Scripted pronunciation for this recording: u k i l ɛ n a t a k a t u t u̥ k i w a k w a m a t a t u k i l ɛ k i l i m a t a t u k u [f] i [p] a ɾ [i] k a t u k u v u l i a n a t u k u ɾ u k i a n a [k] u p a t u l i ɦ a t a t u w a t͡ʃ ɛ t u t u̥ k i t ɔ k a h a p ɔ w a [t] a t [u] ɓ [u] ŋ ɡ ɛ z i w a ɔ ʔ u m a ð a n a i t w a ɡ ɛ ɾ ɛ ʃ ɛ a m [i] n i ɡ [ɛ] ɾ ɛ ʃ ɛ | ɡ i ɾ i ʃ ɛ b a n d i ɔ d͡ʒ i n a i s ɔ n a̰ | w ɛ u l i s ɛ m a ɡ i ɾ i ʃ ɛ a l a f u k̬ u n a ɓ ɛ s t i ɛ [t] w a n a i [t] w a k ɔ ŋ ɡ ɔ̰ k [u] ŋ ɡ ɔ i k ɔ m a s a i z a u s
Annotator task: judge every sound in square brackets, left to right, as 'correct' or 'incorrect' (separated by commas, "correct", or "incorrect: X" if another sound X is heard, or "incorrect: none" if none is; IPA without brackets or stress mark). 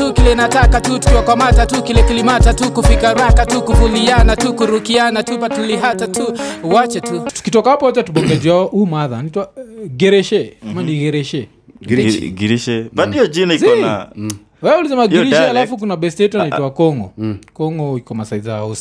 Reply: correct, incorrect: k, incorrect: a, incorrect: t, incorrect: t͡ʃ, correct, incorrect: ɔ, incorrect: a, correct, correct, correct, incorrect: ɔ